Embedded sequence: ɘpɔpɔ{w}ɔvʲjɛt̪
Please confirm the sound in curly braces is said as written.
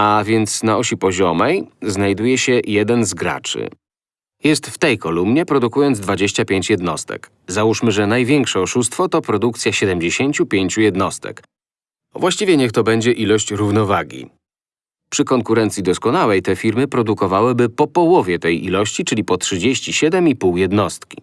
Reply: yes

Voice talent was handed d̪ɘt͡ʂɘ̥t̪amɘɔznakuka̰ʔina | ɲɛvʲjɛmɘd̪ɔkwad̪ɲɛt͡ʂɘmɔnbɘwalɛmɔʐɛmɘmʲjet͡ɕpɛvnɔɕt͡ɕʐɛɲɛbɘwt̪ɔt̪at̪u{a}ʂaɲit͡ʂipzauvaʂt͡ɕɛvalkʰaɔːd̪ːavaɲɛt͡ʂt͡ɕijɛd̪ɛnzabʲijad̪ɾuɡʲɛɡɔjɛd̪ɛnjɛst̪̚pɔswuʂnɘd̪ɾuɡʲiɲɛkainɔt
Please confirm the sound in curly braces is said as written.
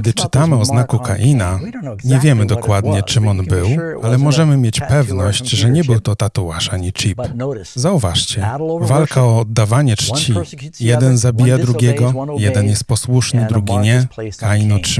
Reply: yes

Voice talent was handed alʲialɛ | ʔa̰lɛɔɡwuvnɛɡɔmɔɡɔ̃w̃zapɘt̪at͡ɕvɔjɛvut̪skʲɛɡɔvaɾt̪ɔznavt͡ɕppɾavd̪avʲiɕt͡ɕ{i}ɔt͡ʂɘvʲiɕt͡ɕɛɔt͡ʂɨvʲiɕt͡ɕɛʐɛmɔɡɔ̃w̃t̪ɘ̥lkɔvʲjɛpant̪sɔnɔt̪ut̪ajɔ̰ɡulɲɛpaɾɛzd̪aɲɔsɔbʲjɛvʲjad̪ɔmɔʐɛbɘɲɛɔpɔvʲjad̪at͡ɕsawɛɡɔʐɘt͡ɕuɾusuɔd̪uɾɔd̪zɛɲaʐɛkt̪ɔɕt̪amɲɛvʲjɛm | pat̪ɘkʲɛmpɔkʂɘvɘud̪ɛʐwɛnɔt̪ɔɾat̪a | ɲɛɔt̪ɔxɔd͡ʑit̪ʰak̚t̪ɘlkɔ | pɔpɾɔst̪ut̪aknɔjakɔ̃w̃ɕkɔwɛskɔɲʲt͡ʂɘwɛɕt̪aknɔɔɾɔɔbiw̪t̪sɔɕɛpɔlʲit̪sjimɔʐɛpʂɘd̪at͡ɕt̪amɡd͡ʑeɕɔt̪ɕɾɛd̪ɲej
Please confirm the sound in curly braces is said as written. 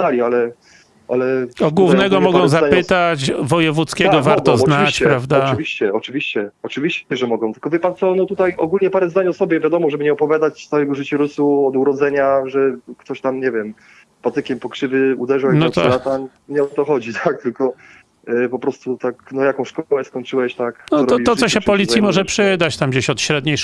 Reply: no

